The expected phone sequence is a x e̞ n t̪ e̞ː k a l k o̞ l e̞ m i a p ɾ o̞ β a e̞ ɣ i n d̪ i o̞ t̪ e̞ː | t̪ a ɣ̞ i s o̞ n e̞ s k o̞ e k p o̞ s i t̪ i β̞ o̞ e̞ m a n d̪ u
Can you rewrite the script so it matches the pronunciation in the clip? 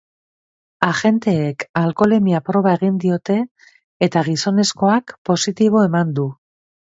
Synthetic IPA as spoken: a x e̞ n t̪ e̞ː k a l k o̞ l e̞ m i a p ɾ o̞ β a e̞ ɣ i n d̪ i o̞ t̪ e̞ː | t̪ a ɣ̞ i s o̞ n e̞ s k o̞ a k p o̞ s i t̪ i β̞ o̞ e̞ m a n d̪ u